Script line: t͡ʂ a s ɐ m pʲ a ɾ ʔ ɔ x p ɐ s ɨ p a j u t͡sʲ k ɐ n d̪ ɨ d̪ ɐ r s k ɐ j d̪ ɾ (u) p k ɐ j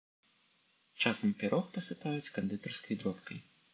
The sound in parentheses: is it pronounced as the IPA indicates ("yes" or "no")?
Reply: no